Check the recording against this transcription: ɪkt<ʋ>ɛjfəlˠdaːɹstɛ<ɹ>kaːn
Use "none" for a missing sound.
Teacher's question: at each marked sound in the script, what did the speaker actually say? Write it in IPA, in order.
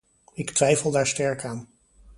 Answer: ʋ, ɹ

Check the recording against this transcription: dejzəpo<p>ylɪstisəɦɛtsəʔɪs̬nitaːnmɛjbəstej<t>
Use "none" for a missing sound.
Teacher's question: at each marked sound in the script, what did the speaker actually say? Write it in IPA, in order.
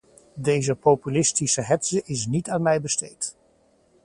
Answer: p, t

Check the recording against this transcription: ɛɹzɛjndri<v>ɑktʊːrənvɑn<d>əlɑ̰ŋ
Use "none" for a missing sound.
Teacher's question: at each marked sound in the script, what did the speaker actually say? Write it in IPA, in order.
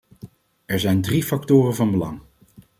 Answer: f, b

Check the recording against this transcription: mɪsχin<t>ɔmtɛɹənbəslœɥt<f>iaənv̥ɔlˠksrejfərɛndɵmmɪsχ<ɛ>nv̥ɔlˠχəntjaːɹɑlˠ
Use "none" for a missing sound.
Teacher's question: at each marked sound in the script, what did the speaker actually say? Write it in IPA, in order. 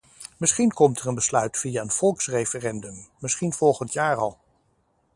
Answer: k, f, i

